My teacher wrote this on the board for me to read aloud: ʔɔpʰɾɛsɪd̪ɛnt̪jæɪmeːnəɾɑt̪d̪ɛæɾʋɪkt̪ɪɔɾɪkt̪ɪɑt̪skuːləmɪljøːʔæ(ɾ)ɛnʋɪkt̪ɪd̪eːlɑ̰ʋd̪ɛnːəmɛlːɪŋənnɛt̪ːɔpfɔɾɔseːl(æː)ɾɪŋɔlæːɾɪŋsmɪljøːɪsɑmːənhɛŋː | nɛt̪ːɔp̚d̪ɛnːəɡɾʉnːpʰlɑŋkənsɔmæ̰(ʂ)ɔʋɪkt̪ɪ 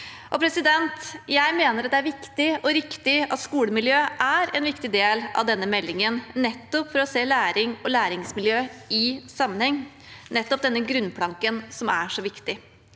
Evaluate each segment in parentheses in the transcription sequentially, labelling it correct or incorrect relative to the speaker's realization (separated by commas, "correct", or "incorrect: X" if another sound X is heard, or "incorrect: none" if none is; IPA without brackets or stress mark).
correct, correct, correct